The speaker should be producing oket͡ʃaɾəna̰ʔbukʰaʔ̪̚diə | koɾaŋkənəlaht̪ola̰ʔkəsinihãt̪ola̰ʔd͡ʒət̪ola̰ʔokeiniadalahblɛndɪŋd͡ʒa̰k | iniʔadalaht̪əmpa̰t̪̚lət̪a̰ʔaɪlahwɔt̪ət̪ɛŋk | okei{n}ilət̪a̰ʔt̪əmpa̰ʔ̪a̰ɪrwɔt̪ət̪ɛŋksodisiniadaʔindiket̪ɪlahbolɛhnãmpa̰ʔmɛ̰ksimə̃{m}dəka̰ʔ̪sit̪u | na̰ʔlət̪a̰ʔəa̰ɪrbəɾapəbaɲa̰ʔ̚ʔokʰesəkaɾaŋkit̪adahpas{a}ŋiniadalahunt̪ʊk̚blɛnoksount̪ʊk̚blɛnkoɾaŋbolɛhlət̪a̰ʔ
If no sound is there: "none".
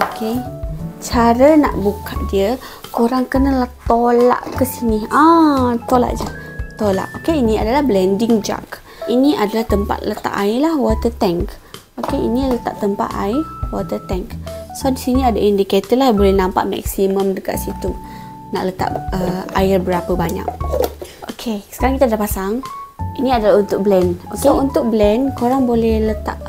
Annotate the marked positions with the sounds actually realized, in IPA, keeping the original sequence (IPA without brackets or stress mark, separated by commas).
n, m, a